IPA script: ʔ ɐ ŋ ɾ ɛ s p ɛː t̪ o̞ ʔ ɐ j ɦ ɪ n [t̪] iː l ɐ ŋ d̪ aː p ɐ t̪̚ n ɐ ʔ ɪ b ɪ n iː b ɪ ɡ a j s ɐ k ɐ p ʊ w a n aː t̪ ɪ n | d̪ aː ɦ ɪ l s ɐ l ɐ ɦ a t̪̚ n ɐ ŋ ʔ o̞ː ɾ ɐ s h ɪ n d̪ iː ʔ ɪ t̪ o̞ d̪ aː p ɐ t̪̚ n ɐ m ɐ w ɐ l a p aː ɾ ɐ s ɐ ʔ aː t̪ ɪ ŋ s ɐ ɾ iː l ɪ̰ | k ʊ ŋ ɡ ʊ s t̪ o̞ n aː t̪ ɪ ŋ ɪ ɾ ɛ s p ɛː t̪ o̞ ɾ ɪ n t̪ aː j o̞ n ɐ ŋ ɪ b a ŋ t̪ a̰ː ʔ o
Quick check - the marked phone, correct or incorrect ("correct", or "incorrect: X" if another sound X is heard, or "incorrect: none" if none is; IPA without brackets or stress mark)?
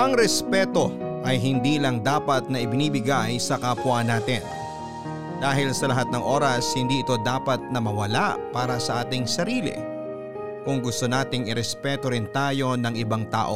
incorrect: d̪